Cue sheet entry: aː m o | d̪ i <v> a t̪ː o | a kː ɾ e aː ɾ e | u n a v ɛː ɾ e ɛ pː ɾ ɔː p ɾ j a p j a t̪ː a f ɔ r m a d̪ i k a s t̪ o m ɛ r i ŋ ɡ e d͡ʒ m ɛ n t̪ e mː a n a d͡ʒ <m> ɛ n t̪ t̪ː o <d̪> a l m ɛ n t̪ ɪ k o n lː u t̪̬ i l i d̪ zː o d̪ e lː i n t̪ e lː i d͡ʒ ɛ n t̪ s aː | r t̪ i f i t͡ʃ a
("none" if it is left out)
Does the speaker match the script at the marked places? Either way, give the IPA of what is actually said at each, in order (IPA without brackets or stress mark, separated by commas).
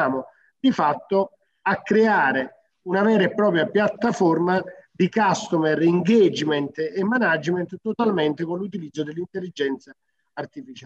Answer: f, m, t̪